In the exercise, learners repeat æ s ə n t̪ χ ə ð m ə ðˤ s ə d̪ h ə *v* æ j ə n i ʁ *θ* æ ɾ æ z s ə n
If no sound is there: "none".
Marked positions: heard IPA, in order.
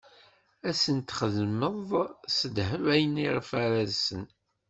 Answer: v, f

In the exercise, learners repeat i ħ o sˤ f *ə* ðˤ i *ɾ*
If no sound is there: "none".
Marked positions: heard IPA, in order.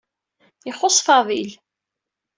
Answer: ɑ, l

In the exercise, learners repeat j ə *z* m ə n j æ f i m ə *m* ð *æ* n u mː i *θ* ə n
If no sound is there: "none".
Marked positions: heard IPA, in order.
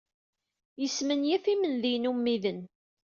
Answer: s, n, i, ð

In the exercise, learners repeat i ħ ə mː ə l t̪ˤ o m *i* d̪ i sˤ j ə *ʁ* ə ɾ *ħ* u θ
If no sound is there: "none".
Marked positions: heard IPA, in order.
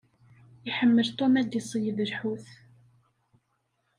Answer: æ, ð, ħ

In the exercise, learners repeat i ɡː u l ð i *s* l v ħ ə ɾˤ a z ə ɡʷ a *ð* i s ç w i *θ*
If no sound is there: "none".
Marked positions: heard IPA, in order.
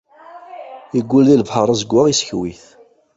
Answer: none, ʁ, θ

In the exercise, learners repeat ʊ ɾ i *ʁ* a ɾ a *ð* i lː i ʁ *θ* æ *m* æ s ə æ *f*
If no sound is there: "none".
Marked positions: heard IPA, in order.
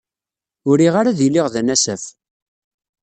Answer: ʁ, ð, ð, n, f

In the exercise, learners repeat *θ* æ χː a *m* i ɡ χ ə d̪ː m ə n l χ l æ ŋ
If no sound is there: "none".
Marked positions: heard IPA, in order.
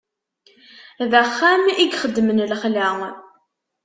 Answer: ð, m

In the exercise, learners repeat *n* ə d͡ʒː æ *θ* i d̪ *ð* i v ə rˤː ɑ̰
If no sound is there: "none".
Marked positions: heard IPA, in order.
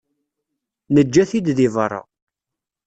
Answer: n, θ, ð

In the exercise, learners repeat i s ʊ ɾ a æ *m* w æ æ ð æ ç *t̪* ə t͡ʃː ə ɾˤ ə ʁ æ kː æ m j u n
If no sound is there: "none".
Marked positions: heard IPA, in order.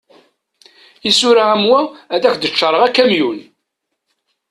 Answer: m, d̪

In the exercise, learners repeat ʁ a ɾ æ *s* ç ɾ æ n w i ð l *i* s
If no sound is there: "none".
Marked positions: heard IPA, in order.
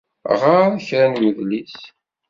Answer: none, i

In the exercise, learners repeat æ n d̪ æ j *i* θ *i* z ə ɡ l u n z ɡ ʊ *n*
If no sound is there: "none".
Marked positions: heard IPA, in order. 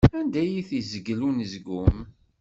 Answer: i, i, m

